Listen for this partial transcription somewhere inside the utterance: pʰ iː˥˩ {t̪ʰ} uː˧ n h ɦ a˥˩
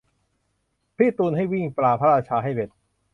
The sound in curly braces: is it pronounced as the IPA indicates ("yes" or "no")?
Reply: no